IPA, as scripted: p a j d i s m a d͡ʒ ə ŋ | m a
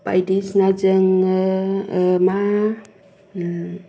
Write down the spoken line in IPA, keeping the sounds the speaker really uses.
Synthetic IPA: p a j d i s n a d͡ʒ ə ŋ | m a

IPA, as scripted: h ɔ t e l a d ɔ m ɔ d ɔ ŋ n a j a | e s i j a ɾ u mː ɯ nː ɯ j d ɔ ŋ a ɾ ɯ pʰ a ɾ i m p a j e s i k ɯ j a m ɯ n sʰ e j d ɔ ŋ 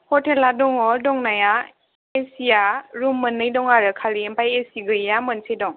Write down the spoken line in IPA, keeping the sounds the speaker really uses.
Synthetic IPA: h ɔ t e l a d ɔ ŋ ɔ d ɔ ŋ n a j a | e s i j a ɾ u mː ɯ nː ɯ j d ɔ ŋ a ɾ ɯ kʰ a l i m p a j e s i ɡ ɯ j a m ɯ n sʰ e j d ɔ ŋ

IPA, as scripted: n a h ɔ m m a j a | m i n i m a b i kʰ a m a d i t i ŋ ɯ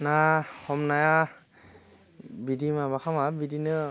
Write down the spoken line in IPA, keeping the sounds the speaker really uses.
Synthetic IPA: n a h ɔ m n a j a | b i d i m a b a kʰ a m a b i d i n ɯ

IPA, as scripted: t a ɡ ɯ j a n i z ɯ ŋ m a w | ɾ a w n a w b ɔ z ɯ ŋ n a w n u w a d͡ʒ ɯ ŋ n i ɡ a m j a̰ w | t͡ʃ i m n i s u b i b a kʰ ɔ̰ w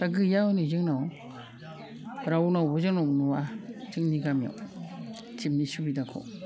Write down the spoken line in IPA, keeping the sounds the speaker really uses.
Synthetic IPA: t a ɡ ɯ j a n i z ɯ ŋ n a w | ɾ a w n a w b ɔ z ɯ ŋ n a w n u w a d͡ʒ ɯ ŋ n i ɡ a m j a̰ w | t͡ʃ i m n i s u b i d a kʰ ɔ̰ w

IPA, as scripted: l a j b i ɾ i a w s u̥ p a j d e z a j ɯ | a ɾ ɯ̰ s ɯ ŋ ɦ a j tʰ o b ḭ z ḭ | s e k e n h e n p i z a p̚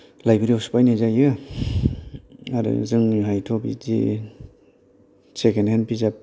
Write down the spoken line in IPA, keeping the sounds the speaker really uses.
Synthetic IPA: l a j b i ɾ i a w s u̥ p a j n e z a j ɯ | a ɾ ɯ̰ z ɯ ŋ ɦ a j tʰ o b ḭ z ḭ | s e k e n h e n p i z a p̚

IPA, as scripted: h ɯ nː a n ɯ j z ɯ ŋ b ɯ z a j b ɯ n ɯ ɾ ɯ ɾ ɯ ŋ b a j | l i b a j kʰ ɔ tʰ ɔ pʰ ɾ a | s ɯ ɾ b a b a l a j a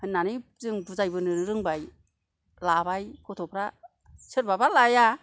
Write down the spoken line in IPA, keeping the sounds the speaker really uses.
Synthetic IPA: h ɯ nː a n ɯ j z ɯ ŋ b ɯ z a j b ɯ n ɯ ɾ ɯ ɾ ɯ ŋ b a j | l a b a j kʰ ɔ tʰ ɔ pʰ ɾ a | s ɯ ɾ b a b a l a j a

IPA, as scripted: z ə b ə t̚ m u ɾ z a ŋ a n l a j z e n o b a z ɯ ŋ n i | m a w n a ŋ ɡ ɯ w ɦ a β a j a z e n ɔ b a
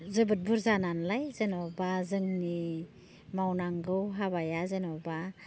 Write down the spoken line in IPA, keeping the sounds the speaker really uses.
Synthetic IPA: z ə b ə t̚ b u ɾ z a n a n l a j z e n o b a z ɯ ŋ n i | m a w n a ŋ ɡ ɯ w ɦ a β a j a z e n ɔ b a

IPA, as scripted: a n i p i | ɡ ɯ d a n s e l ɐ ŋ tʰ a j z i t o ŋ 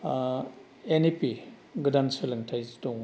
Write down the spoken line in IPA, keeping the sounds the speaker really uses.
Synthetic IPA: e n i p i | ɡ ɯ d a n s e l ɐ ŋ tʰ a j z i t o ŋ

